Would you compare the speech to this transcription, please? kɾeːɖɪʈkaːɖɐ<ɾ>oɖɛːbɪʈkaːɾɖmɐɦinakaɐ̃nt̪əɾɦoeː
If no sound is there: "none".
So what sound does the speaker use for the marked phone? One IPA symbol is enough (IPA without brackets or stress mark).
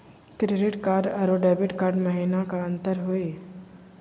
ɾ